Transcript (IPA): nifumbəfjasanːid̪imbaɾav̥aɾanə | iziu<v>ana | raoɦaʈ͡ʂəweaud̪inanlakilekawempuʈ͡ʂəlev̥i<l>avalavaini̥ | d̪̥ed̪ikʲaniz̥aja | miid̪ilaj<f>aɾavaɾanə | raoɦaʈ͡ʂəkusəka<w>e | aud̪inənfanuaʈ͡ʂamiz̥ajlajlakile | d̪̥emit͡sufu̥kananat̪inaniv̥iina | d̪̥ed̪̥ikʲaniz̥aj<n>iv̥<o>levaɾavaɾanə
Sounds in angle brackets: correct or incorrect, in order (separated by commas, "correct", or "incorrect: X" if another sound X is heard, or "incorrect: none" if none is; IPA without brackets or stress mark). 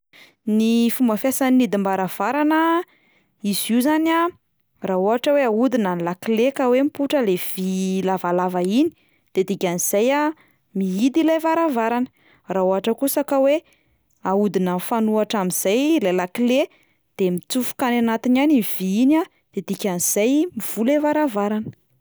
incorrect: z, correct, incorrect: v, correct, incorrect: m, incorrect: u